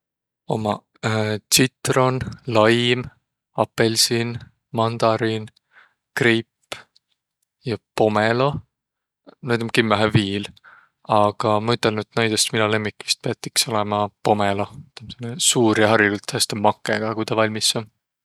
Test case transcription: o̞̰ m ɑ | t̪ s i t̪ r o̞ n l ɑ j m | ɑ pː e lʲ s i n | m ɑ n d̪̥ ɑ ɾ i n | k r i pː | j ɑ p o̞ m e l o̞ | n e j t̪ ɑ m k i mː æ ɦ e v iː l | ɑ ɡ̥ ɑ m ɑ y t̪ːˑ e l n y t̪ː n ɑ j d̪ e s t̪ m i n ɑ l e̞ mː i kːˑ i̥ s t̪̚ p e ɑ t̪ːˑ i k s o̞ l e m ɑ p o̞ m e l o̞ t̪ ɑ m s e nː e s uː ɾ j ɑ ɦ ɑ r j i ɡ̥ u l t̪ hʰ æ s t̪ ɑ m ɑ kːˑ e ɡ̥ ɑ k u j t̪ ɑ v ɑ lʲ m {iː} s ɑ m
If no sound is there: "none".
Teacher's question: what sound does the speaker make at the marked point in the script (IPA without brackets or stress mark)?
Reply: i